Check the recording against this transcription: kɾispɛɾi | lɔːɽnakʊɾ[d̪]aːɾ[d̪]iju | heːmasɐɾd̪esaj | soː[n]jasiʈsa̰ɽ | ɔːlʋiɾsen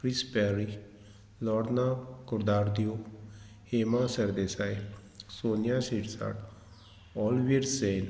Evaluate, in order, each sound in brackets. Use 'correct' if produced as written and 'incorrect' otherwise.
correct, correct, correct

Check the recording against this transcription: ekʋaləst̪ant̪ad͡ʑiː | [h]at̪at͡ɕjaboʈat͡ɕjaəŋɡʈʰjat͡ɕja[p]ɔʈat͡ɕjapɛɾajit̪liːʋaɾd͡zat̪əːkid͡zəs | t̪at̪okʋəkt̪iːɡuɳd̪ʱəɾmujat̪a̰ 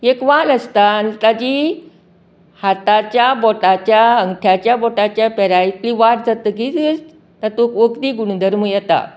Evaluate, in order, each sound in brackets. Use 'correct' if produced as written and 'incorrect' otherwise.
correct, incorrect

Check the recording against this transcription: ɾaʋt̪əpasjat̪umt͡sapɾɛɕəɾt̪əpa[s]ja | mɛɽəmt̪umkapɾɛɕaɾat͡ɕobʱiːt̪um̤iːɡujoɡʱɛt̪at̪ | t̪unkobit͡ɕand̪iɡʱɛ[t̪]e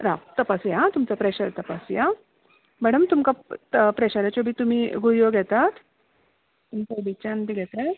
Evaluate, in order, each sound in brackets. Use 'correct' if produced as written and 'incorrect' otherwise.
correct, correct

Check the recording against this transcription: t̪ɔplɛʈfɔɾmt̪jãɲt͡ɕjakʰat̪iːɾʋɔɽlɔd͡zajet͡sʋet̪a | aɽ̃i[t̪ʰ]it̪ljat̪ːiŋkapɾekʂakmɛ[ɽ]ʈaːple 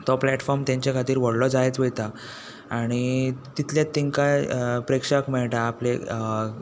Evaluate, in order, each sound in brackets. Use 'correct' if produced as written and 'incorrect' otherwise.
incorrect, incorrect

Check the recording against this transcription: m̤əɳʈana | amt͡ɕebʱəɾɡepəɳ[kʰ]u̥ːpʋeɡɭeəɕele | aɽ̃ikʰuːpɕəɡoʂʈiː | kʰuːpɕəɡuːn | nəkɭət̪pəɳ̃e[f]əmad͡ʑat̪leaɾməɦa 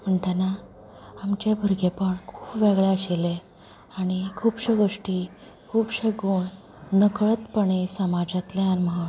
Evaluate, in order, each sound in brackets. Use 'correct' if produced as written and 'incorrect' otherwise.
correct, incorrect

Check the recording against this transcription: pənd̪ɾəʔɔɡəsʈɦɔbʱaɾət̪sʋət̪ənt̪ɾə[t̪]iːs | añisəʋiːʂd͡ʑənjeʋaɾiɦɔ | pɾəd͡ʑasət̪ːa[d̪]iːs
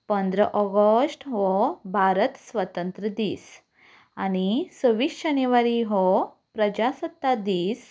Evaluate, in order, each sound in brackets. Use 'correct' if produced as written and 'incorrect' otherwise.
incorrect, correct

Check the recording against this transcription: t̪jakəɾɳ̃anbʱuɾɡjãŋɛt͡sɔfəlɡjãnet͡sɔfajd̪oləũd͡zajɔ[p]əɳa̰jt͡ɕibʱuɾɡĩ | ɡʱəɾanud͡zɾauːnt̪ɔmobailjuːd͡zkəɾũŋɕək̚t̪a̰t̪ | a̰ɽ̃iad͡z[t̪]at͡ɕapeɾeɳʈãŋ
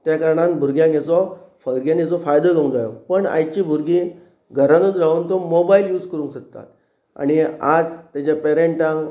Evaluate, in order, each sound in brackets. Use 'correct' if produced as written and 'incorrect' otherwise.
correct, correct

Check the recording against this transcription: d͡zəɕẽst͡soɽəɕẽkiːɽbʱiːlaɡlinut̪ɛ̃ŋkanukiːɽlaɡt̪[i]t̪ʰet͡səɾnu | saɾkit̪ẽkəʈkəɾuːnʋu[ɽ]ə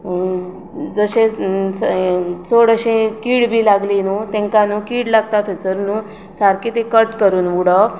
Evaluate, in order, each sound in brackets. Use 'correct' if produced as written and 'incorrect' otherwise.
incorrect, correct

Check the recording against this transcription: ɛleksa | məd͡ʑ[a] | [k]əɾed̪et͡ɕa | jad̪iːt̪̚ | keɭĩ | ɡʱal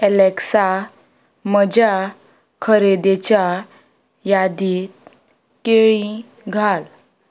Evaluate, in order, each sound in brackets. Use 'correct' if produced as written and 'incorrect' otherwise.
correct, incorrect

